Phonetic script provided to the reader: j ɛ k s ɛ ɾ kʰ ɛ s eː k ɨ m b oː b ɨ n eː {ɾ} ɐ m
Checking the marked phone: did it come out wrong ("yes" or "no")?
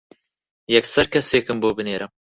no